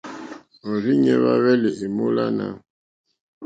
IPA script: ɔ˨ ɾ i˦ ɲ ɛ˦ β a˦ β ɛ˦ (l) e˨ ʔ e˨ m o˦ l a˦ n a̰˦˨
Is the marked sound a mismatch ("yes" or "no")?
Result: no